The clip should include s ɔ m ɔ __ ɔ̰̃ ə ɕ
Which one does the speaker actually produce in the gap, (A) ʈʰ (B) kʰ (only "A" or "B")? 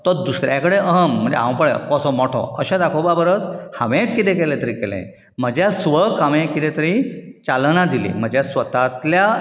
A